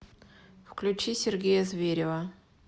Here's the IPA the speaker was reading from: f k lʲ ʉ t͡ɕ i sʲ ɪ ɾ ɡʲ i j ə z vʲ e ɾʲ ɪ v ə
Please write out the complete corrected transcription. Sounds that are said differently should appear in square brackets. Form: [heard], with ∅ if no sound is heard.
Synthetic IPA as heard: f k lʲ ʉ t͡ɕ i sʲ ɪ [r] ɡʲ [e] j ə z vʲ e ɾʲ ɪ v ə